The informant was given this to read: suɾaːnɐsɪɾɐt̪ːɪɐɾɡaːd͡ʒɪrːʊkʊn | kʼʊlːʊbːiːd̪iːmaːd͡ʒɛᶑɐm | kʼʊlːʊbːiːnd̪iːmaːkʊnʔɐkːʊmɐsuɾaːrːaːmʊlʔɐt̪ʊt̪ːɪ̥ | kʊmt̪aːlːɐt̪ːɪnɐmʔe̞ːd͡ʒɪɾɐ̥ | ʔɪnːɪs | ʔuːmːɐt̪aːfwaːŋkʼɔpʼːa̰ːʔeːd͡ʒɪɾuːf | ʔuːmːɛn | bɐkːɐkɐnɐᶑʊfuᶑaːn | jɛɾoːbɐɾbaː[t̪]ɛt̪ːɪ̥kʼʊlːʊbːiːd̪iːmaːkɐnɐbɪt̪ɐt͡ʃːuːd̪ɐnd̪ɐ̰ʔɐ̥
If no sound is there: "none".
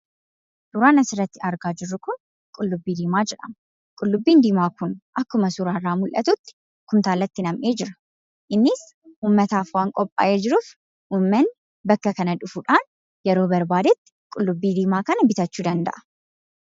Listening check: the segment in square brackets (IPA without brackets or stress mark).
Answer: d̪